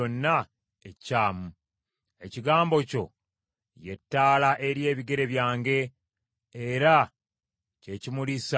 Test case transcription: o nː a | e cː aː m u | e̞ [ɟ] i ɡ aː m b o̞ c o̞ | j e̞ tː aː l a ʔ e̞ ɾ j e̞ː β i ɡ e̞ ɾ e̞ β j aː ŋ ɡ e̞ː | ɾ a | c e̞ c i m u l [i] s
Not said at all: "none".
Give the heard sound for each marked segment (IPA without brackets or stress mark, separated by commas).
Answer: c, i